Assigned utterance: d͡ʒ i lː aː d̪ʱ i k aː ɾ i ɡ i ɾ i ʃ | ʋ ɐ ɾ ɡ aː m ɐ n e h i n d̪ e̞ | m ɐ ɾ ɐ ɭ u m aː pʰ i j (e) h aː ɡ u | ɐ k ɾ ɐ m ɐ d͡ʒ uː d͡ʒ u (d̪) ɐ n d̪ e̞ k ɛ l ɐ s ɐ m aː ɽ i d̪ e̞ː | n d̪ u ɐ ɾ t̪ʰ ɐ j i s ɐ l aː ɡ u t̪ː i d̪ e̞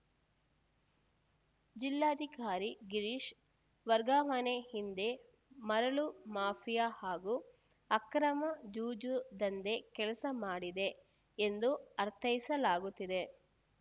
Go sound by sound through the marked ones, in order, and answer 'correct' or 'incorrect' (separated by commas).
incorrect, correct